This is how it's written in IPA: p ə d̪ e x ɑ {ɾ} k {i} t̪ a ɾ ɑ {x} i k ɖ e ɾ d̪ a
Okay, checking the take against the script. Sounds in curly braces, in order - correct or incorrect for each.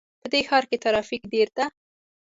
correct, incorrect, incorrect

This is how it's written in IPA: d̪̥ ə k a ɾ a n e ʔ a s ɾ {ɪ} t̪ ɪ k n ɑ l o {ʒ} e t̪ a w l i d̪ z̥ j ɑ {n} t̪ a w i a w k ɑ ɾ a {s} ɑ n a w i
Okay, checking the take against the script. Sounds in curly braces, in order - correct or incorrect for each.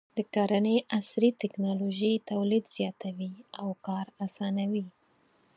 incorrect, correct, incorrect, correct

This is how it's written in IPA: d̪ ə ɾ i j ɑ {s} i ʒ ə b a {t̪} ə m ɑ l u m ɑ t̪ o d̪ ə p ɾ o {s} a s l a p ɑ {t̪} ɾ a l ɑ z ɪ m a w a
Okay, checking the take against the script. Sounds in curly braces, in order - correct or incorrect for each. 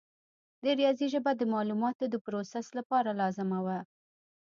incorrect, incorrect, correct, incorrect

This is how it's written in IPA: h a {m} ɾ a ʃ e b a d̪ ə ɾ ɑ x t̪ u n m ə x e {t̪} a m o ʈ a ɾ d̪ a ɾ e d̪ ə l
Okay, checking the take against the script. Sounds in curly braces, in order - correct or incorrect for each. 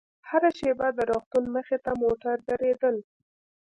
incorrect, correct

